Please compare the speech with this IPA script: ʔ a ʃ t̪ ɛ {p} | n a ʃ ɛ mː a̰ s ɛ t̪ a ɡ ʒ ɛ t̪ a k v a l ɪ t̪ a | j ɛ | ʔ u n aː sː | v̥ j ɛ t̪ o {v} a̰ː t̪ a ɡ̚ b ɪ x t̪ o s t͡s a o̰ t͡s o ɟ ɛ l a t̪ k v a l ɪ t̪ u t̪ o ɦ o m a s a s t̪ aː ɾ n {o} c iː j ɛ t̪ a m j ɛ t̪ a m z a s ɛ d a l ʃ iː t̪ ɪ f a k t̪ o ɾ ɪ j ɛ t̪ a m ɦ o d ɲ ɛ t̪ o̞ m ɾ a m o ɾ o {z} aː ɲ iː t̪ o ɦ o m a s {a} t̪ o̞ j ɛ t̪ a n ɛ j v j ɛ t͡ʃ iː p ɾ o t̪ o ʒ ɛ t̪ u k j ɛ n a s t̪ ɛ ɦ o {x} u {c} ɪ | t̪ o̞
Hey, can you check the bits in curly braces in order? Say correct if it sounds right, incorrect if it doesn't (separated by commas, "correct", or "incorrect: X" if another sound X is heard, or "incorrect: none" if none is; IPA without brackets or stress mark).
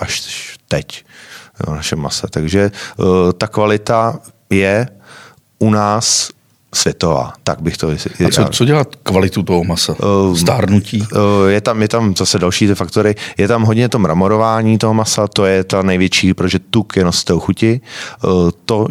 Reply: incorrect: c, correct, incorrect: u, incorrect: v, correct, correct, correct